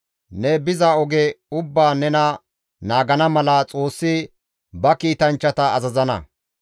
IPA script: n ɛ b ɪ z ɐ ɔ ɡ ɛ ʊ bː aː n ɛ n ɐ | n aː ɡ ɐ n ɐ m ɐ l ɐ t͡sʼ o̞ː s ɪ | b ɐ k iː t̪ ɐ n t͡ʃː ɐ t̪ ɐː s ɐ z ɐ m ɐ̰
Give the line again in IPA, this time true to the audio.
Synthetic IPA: n ɛ b ɪ z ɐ ɔ ɡ ɛ ʊ bː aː n ɛ n ɐ | n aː ɡ ɐ n ɐ m ɐ l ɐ t͡sʼ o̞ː sː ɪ | b ɐ k iː t̪ ɐ n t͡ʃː ɐ t̪ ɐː z ɐ z ɐ n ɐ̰

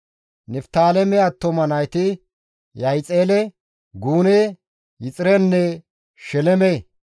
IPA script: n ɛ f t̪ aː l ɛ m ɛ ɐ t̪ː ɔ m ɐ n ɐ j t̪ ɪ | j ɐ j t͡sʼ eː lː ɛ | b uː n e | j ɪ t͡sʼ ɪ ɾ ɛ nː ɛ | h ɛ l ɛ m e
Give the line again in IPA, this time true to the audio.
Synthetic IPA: n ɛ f t̪ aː l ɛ m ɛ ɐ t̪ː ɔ m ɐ n ɐ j t̪ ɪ | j ɐ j t͡sʼ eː l ɛ | ɡ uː n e | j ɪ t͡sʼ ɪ ɾ ɛ nː ɛ | ʃ ɛ l ɛ m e

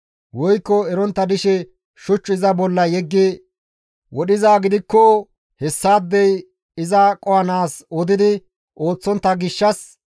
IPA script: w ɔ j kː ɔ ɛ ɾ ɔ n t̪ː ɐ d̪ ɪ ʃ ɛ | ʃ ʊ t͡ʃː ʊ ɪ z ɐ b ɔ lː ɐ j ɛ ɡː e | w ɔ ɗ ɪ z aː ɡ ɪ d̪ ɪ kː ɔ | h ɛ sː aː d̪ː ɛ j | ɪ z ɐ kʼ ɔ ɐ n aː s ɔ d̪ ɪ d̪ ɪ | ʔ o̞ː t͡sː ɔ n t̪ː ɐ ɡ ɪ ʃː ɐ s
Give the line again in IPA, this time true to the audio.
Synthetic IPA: w ɔ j kː ɔ ɛ ɾ ɔ n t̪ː ɐ d̪ ɪ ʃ ɛ | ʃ ʊ t͡ʃː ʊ ɪ z ɐ b ɔ lː ɐ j ɛ ɡː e | w ɔ ɗ ɪ z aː ɡ ɪ d̪ ɪ kː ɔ | h ɛ sː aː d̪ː ɛ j | ɪ z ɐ kʼ ɔ ɐ n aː s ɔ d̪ ɪ d̪ ɪ | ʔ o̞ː t͡sː ɔ n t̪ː ɐ ɡ ɪ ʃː ɐ s

